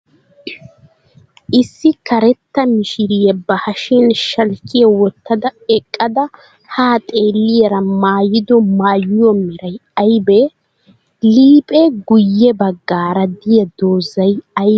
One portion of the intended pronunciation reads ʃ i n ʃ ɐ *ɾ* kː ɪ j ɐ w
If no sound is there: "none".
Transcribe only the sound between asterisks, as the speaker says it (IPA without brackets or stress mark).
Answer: l